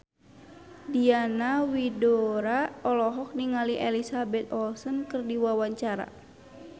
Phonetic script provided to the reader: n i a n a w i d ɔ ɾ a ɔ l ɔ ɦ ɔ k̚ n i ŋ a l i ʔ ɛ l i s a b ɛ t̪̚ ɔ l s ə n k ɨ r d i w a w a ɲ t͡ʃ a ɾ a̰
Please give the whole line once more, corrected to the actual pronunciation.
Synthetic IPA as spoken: d i a n a w i d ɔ ɾ a ɔ l ɔ ɦ ɔ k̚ n i ŋ a l i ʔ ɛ l i s a b ɛ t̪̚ ɔ l s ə n k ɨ r d i w a w a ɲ t͡ʃ a ɾ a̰